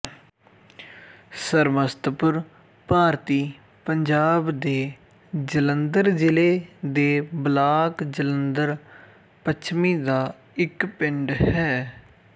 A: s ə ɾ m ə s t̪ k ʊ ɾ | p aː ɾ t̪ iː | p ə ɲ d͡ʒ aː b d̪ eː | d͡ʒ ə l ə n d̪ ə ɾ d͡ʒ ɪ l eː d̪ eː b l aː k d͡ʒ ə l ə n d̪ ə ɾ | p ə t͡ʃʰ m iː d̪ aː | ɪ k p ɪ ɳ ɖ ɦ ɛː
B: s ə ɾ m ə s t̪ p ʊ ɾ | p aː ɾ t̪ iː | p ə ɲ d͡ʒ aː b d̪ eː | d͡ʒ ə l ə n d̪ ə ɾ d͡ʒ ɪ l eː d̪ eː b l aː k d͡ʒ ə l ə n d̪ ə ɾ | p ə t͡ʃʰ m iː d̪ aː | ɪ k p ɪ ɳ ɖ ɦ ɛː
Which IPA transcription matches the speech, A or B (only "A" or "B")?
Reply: B